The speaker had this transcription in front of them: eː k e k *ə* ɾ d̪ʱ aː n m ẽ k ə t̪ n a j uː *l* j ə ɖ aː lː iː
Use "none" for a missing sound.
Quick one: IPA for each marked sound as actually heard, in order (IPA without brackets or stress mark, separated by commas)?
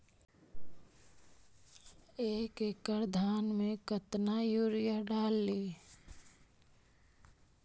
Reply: ə, ɾ